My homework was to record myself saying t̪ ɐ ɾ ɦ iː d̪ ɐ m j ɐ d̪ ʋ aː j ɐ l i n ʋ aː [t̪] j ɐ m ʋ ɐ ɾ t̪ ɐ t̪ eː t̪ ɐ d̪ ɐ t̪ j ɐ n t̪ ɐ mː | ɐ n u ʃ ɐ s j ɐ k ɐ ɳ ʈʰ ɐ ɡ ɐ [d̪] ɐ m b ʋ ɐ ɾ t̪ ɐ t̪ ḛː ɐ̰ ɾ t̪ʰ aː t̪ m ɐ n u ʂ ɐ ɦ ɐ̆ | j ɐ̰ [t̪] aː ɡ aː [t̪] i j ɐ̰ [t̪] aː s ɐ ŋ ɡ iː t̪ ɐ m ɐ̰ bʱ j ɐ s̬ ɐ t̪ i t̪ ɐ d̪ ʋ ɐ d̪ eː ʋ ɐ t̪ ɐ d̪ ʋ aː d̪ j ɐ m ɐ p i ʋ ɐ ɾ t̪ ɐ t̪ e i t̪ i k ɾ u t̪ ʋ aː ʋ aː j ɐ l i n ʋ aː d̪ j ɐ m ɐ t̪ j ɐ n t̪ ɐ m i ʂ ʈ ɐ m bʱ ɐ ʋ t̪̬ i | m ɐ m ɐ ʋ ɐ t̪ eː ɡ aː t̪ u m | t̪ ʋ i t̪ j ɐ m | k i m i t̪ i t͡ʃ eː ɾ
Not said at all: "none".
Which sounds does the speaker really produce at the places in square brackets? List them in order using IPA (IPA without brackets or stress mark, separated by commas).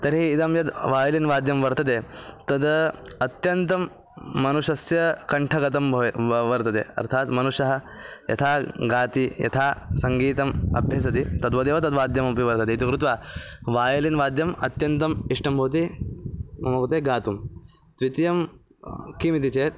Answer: d̪, t̪, t̪ʰ, t̪, t̪ʰ